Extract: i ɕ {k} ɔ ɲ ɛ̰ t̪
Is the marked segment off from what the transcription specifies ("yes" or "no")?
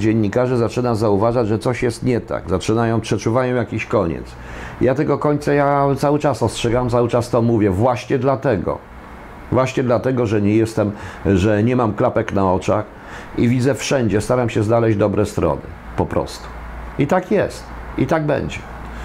no